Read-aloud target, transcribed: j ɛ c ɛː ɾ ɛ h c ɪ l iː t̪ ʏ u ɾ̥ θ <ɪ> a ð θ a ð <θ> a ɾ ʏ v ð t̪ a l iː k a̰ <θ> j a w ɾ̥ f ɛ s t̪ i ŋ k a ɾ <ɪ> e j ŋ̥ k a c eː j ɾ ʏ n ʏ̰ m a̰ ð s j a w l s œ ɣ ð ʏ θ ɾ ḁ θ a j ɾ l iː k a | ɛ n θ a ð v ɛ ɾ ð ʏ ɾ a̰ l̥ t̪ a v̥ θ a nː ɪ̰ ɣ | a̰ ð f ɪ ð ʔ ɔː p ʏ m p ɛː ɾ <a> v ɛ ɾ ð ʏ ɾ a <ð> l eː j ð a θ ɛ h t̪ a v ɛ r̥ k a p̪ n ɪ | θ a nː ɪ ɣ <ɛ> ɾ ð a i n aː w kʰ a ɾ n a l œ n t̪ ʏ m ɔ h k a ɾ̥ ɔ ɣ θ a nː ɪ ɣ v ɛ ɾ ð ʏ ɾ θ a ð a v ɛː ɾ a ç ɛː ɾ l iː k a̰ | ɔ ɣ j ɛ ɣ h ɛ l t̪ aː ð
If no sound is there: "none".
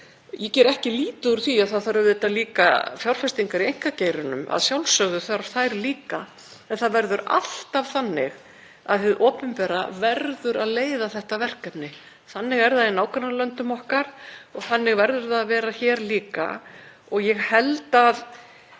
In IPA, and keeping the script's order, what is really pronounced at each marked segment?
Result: i, θ, f, i, a, ð, ɛ

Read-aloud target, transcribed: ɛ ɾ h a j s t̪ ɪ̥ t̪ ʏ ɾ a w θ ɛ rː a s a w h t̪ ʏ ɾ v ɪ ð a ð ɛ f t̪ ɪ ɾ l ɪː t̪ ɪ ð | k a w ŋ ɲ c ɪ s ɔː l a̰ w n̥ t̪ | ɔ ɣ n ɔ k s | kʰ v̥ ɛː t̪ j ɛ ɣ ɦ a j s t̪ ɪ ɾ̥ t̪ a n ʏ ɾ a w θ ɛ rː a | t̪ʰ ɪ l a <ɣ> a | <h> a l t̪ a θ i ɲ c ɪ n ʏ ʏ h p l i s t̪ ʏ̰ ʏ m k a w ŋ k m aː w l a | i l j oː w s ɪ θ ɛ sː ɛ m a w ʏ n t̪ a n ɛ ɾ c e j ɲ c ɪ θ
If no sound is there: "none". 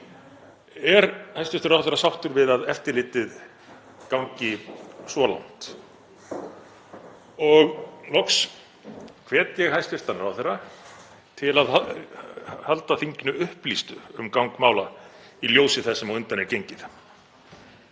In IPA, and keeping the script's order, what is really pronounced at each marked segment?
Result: ð, h

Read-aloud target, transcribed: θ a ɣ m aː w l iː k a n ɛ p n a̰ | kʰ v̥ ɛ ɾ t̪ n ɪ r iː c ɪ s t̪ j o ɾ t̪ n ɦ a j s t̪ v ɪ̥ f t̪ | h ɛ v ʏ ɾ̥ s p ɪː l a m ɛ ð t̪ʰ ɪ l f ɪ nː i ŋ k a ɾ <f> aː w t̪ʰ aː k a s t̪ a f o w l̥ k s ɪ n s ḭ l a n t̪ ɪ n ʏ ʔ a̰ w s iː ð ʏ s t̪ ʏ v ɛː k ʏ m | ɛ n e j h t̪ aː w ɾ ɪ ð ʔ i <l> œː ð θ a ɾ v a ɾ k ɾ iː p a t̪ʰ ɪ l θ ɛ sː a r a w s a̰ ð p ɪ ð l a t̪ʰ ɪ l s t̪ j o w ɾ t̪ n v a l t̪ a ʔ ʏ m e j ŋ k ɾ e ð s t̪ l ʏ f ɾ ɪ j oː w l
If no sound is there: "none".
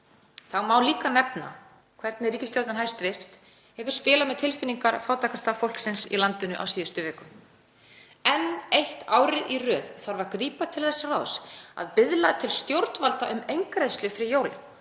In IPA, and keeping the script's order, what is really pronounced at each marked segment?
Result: f, r

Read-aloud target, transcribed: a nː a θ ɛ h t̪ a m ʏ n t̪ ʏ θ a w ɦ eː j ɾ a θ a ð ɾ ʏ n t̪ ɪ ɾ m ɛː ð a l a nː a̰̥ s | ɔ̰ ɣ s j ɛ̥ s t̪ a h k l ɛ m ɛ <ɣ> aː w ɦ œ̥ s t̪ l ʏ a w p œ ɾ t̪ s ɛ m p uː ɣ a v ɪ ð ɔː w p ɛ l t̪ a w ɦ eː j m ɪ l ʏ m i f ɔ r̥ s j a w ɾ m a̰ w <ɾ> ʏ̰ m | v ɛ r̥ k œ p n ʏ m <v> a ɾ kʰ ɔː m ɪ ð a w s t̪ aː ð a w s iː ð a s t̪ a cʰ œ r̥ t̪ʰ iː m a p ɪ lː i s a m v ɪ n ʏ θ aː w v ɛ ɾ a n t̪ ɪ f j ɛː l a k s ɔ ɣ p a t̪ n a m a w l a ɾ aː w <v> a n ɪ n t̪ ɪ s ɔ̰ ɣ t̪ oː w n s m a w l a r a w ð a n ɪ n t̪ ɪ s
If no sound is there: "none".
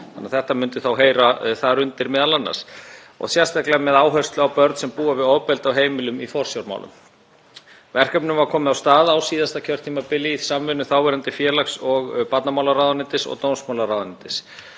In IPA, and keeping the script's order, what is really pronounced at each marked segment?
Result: ð, l, v, ð

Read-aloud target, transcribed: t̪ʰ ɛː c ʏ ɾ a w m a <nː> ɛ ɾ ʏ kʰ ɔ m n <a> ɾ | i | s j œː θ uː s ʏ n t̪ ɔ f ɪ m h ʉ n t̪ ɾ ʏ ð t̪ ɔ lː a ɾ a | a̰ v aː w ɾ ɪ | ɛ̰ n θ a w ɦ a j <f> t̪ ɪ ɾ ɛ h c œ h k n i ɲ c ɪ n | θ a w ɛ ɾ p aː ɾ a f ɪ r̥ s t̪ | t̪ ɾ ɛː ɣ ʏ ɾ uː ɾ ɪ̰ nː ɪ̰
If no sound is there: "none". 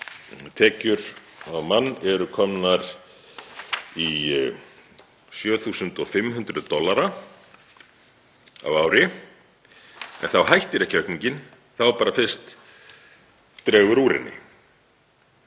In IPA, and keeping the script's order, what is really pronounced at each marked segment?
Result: nː, a, h

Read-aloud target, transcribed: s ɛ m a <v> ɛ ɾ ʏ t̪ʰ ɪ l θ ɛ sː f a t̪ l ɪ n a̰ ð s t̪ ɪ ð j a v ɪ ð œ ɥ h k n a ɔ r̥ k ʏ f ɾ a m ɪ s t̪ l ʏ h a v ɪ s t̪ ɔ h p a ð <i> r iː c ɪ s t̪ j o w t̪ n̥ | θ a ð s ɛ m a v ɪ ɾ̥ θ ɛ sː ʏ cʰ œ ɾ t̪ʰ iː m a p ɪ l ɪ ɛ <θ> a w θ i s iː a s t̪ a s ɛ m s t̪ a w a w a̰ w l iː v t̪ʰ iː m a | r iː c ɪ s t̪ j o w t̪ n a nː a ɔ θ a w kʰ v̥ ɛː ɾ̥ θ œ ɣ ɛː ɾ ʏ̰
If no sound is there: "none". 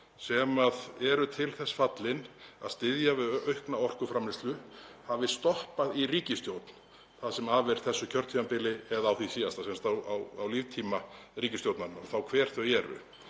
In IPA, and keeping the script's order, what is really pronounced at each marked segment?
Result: ð, i, ð

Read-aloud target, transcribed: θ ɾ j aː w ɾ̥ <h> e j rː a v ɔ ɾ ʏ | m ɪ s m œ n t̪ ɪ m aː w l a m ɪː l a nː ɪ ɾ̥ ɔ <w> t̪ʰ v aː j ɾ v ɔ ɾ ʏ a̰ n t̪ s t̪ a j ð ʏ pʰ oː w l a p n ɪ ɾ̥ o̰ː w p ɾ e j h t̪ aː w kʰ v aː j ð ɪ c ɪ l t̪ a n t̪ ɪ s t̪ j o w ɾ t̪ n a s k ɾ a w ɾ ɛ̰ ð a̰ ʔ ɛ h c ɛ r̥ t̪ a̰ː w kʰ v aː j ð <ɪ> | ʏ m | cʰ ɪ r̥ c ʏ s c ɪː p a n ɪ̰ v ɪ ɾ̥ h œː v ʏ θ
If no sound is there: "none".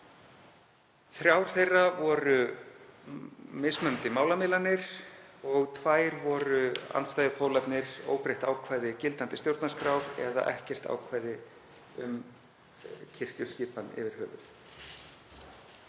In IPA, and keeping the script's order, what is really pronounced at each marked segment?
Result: θ, ɣ, ɪ

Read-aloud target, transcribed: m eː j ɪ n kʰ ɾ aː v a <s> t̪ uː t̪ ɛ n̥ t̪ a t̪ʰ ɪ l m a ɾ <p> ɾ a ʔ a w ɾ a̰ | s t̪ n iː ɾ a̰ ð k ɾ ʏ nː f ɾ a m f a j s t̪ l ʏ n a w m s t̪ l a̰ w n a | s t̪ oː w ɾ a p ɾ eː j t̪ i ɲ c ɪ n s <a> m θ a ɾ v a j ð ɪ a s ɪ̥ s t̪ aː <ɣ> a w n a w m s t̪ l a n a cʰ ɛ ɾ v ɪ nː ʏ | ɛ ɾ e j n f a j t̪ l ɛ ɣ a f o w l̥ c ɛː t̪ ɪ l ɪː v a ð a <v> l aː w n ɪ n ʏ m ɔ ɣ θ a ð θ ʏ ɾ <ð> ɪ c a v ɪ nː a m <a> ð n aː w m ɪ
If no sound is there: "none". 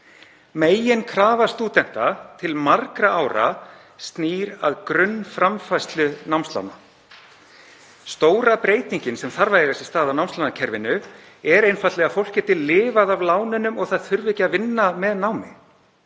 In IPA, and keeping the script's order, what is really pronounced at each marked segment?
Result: s, k, ɛ, ð, v, v, ɛ

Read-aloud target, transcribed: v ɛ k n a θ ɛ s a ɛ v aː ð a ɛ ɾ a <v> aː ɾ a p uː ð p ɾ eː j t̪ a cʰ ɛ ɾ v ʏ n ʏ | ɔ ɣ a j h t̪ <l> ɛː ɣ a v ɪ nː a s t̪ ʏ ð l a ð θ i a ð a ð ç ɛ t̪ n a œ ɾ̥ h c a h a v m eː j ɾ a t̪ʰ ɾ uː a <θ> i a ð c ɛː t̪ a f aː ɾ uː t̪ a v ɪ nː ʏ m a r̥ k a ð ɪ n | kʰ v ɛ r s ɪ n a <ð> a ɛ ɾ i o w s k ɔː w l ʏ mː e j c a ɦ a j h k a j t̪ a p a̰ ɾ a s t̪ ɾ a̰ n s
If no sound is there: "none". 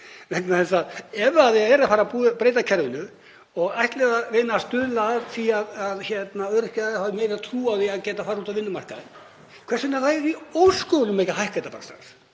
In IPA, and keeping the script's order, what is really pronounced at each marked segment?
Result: f, l, ð, θ

